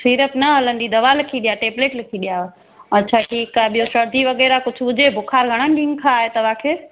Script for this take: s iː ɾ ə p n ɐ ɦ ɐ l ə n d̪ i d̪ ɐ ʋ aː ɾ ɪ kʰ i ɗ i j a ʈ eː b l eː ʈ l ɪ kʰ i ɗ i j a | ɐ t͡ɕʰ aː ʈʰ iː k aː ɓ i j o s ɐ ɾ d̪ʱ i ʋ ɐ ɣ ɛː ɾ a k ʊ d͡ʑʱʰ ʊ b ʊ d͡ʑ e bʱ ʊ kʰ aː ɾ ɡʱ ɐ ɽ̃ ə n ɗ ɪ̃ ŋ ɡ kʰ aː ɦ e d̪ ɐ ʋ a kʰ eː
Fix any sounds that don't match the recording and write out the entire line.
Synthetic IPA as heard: s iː ɾ ə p n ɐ ɦ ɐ l ə n d̪ i d̪ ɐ ʋ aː l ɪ kʰ i ɗ i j a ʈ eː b l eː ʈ l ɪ kʰ i ɗ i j a | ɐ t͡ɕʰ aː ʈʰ iː k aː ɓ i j o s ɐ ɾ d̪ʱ i ʋ ɐ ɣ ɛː ɾ a k ʊ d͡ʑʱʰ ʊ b ʊ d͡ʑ e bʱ ʊ kʰ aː ɾ ɡʱ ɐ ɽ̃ ə n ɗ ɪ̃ ŋ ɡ kʰ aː ɦ e t̪ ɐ ʋ a kʰ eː